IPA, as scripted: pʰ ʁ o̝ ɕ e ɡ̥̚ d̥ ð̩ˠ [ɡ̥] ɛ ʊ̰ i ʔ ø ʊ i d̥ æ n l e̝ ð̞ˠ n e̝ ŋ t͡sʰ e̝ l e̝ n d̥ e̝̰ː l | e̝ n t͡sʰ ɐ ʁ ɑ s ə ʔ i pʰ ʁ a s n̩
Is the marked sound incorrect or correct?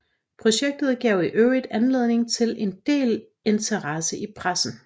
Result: correct